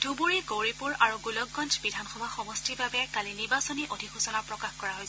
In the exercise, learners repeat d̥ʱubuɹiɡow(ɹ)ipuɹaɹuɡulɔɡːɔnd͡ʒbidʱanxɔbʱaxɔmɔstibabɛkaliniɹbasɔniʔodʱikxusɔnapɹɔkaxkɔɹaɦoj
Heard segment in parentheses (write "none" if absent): ɹ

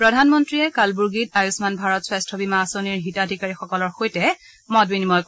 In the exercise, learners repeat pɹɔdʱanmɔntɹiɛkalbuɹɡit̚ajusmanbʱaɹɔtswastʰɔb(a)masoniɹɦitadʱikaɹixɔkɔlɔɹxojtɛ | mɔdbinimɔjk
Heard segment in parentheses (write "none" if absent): i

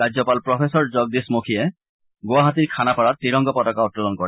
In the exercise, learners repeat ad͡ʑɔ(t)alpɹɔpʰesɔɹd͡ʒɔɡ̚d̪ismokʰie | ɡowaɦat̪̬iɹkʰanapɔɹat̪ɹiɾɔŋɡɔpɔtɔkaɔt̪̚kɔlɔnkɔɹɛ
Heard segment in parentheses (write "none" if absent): p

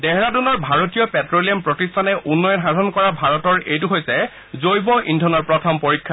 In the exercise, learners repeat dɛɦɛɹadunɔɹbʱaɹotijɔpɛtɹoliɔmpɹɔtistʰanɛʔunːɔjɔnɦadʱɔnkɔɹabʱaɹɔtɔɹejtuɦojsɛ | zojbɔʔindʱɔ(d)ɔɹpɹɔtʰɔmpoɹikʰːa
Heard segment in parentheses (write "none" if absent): n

